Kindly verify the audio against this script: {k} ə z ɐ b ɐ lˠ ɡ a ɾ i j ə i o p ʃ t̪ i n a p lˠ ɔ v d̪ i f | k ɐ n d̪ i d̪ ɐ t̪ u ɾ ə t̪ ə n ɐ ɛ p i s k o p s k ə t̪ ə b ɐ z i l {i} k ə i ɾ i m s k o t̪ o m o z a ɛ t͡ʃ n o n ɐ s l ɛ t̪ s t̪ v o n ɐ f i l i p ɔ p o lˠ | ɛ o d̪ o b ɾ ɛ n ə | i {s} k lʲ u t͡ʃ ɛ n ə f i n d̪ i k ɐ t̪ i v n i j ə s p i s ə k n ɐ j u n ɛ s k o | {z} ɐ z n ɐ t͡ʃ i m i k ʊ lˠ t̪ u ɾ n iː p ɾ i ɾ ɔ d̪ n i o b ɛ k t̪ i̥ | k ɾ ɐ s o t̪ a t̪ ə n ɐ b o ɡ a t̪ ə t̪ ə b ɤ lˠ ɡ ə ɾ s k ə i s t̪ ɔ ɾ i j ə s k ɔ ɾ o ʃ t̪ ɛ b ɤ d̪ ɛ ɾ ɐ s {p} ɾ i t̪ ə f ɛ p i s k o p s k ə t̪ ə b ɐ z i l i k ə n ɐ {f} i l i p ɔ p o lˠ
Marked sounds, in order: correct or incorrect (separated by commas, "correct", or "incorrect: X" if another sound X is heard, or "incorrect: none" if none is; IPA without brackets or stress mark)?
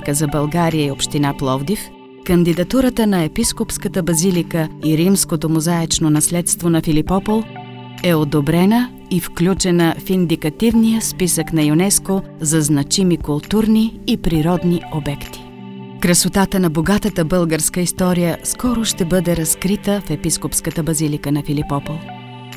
correct, correct, incorrect: f, correct, incorrect: k, correct